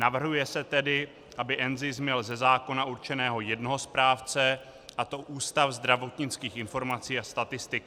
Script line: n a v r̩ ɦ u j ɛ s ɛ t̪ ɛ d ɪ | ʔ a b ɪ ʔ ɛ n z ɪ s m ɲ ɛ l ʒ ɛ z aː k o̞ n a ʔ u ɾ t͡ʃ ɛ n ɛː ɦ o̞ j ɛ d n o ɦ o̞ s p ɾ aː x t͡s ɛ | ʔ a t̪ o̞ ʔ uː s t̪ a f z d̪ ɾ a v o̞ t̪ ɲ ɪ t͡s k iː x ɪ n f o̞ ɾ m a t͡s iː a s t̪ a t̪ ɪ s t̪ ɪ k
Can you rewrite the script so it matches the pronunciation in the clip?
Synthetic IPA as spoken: n a v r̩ ɦ u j ɛ s ɛ t̪ ɛ d ɪ | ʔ a b ɪ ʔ ɛ n z ɪ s m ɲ ɛ l z ɛ z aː k o̞ n a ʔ u ɾ t͡ʃ ɛ n ɛː ɦ o̞ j ɛ d n o ɦ o̞ s p ɾ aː f t͡s ɛ | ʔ a t̪ o̞ ʔ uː s t̪ a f z d̪ ɾ a v o̞ t̪ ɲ ɪ t͡s k iː x ɪ n f o̞ ɾ m a t͡s iː a s t̪ a t̪ ɪ s t̪ ɪ k